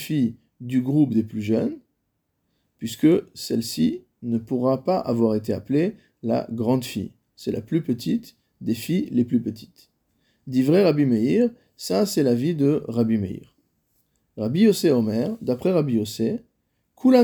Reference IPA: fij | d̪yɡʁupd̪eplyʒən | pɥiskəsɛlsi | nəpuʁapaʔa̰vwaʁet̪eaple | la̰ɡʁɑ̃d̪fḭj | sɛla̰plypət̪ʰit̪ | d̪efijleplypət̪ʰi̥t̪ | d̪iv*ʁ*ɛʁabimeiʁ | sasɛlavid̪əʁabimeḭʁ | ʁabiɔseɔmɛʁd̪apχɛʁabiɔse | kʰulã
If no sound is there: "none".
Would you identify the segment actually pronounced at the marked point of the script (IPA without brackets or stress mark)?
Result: ʁ